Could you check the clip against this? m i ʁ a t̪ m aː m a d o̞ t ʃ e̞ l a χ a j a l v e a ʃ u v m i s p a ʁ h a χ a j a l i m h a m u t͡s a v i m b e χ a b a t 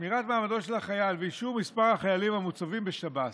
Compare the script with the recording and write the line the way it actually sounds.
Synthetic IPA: m i ʁ a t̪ m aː m a d o̞ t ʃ e̞ l a χ a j a l v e i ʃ u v m i s p a ʁ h a χ a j a l i m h a m u t͡s a v i m b e ʃ a b a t